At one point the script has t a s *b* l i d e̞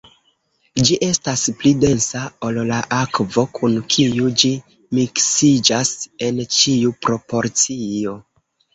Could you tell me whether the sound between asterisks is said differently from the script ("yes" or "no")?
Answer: yes